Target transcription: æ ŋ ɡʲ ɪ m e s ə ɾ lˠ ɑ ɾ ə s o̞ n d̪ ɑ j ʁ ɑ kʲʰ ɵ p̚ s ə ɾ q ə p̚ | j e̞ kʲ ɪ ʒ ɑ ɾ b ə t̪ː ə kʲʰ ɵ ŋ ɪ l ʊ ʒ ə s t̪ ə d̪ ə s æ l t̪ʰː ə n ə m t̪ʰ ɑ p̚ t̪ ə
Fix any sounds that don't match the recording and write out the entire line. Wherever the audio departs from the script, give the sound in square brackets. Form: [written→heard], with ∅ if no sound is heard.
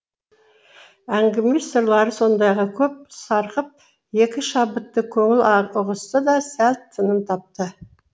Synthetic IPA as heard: æ ŋ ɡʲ ɪ m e s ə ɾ lˠ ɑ ɾ ə s o̞ n d̪ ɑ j ʁ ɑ kʲʰ ɵ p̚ s [ə→ɑ] ɾ q ə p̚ | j e̞ kʲ ɪ [ʒ→ʃ] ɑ [ɾ→∅] b ə t̪ː ə kʲʰ ɵ ŋ ɪ l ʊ [ʒ→ʁ] ə s t̪ ə d̪ [ə→ɑ] s æ l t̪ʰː ə n ə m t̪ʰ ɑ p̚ t̪ ə